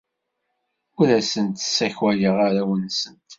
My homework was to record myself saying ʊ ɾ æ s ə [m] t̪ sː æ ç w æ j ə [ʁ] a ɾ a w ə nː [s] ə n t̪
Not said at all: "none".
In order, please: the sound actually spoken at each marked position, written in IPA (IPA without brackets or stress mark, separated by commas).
n, ʁ, s